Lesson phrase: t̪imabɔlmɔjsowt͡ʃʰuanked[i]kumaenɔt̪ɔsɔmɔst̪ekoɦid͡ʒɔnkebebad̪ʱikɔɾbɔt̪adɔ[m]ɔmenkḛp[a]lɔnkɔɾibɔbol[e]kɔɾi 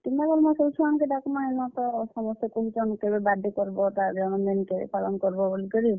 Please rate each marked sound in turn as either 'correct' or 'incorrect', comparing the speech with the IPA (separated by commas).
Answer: incorrect, incorrect, correct, incorrect